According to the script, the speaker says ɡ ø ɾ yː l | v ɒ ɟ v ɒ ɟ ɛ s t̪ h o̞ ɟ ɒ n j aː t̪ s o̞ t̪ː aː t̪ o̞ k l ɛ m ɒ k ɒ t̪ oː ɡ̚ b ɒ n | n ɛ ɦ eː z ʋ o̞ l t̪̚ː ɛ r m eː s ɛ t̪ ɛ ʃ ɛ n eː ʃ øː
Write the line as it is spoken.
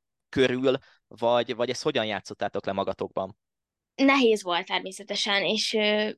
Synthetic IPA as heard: k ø ɾ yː l | v ɒ ɟ v ɒ ɟ ɛ s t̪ h o̞ ɟ ɒ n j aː t̪ s o̞ t̪ː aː t̪ o̞ k l ɛ m ɒ ɡ ɒ t̪ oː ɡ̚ b ɒ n | n ɛ ɦ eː z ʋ o̞ l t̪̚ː ɛ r m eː s ɛ t̪ ɛ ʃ ɛ n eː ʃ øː